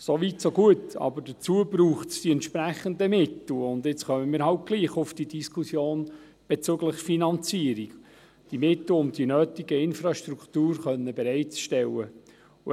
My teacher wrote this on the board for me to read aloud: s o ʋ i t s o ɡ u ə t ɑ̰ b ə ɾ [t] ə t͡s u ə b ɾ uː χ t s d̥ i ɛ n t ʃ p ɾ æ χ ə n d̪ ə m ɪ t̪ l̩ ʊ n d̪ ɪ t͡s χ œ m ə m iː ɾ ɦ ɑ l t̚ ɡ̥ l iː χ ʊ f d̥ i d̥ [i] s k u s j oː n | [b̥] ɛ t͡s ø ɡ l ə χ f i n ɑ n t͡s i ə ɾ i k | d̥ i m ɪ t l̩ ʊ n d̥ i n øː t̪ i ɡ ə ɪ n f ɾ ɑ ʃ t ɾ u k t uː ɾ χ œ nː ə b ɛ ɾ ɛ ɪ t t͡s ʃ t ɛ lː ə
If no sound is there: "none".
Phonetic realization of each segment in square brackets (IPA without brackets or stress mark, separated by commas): d, i, b̥